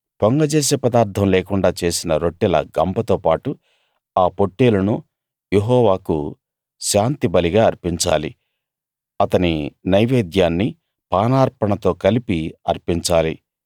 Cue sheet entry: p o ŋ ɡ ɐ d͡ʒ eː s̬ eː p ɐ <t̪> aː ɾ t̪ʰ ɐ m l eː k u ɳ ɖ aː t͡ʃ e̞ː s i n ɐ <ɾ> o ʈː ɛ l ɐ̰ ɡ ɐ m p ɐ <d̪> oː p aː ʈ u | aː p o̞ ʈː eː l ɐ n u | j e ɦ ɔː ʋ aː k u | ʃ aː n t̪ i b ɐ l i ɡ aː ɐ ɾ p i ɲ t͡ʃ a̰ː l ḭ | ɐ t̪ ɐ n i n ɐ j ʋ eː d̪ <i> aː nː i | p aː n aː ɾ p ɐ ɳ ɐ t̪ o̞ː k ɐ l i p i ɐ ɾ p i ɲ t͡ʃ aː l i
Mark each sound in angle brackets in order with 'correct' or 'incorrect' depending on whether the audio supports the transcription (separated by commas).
incorrect, correct, incorrect, incorrect